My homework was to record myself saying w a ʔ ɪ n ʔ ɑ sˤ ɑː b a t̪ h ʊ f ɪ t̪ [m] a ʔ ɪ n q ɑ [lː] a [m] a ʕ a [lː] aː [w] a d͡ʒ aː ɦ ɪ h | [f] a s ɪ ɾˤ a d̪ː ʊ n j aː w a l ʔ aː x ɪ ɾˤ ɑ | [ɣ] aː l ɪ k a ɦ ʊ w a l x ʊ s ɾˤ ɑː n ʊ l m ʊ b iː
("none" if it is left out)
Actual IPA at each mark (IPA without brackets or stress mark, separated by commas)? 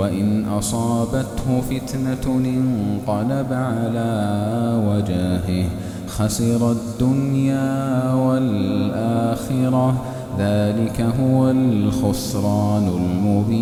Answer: n, l, b, l, w, x, ð